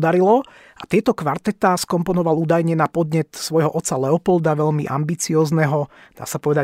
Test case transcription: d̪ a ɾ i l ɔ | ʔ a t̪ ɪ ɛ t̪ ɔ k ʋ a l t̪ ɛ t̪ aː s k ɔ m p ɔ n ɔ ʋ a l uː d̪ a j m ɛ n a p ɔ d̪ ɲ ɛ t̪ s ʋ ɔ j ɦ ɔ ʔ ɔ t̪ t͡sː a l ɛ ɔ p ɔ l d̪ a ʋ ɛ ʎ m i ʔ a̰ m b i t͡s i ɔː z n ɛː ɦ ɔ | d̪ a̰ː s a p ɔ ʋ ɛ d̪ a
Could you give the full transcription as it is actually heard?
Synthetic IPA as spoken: d̪ a ɾ i l ɔ | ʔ a t̪ ɪ ɛ t̪ ɔ k ʋ a ɾ t̪ ɛ t̪ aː s k ɔ m p ɔ n ɔ ʋ a l uː d̪ a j ɲ ɛ n a p ɔ d̪ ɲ ɛ t̪ s ʋ ɔ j ɦ ɔ ʔ ɔ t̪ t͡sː a l ɛ ɔ p ɔ l d̪ a ʋ ɛ ʎ m i ʔ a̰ m b i t͡s i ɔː z n ɛ ɦ ɔ | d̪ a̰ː s a p ɔ ʋ ɛ d̪ a